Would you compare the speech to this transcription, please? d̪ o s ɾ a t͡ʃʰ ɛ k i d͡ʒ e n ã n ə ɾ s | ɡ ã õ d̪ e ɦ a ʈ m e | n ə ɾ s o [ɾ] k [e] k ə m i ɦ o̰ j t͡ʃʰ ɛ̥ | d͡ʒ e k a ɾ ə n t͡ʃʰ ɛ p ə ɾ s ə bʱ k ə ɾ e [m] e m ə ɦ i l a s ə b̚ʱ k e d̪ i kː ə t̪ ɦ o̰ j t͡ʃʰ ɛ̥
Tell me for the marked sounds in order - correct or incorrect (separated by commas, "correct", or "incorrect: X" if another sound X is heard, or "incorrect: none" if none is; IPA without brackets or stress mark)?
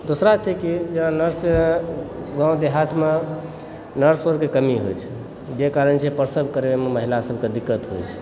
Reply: correct, correct, correct